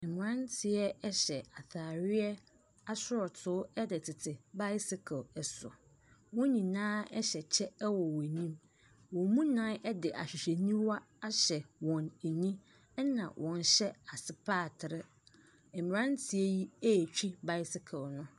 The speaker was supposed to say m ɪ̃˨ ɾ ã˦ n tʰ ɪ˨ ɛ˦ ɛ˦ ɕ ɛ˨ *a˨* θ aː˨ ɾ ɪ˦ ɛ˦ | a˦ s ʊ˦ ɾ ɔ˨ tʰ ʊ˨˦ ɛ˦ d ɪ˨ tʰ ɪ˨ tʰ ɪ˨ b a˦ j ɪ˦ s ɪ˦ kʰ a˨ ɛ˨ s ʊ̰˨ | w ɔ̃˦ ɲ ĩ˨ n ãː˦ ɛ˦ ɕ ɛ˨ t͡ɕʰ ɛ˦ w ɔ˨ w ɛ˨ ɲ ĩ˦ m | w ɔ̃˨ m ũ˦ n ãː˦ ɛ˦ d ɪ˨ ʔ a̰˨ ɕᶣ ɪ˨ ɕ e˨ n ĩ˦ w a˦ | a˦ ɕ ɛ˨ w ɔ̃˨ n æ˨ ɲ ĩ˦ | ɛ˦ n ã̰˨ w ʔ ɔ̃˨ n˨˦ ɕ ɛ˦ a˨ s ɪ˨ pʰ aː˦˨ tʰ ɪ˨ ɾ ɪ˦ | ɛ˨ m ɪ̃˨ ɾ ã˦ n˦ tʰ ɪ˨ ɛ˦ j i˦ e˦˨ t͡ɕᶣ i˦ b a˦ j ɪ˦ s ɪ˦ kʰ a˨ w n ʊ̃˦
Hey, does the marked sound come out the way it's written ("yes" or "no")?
yes